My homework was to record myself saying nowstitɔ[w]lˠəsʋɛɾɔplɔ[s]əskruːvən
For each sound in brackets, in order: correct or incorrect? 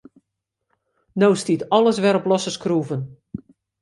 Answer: incorrect: none, correct

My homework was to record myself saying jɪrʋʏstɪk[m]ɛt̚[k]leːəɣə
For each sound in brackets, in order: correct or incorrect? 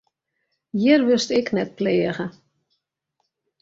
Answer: incorrect: n, incorrect: p

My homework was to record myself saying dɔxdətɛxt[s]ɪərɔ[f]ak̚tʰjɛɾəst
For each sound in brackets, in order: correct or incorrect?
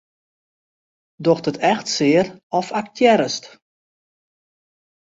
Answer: correct, correct

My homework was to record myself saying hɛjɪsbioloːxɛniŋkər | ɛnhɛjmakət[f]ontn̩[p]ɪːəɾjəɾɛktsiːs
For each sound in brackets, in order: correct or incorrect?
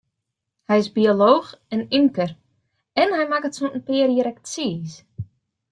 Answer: incorrect: s, correct

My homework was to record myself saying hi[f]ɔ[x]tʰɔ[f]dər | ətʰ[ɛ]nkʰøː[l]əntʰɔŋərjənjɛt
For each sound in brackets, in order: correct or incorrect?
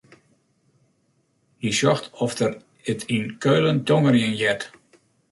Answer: incorrect: s, correct, correct, incorrect: i, correct

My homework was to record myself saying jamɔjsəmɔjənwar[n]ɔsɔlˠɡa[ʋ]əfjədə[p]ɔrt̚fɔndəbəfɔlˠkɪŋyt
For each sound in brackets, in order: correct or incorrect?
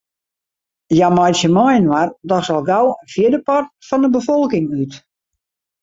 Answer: incorrect: d, incorrect: w, correct

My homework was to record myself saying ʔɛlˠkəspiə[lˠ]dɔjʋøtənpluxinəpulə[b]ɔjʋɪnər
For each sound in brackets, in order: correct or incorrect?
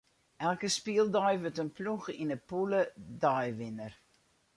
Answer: correct, incorrect: d

